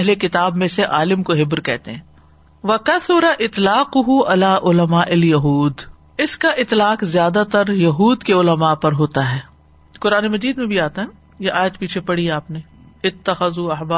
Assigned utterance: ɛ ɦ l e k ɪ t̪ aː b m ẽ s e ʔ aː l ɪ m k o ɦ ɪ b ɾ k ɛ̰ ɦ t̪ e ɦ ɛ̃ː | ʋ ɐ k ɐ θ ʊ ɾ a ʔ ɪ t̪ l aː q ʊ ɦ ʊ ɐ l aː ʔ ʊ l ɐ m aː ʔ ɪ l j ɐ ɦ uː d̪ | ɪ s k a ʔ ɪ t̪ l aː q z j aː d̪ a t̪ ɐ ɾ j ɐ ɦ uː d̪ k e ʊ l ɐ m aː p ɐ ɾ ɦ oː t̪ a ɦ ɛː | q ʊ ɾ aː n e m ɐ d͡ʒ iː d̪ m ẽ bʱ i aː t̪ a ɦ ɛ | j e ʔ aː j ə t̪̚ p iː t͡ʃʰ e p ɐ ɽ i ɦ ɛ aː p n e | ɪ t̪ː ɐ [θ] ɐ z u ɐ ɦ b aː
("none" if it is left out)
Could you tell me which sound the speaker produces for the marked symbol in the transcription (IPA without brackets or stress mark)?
x